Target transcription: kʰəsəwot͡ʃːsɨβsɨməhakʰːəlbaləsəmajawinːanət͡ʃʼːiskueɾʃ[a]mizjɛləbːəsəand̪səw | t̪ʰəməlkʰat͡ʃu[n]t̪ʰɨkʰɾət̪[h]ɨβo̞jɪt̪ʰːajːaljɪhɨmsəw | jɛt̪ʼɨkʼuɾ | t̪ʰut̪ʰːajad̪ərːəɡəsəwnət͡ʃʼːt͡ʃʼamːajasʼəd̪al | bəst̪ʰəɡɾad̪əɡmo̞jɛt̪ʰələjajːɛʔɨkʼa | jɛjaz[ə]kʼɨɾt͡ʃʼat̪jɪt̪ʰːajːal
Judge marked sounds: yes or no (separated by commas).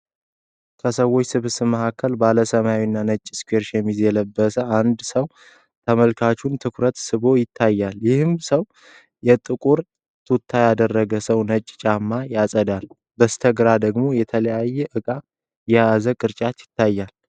no, yes, no, yes